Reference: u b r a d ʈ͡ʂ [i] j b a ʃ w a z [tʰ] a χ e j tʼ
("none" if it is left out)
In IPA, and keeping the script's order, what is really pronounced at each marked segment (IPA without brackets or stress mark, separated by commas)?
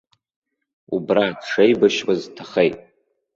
e, tʰ